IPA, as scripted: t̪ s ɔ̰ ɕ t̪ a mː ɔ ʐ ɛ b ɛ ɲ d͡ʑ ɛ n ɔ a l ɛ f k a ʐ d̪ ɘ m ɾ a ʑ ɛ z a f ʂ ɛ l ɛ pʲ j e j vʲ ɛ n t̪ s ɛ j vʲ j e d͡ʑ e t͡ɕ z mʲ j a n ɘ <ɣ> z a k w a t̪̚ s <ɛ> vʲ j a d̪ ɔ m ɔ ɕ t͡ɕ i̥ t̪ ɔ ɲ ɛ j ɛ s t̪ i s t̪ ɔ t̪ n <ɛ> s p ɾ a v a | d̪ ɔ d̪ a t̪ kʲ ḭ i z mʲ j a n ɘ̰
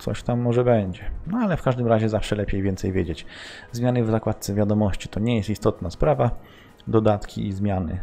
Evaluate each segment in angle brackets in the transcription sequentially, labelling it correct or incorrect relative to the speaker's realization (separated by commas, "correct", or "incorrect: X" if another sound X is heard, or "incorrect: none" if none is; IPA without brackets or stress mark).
incorrect: v, correct, incorrect: a